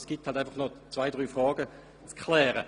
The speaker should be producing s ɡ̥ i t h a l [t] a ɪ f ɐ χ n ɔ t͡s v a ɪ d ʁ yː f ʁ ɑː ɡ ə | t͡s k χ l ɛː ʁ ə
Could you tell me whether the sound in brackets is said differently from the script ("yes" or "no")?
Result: no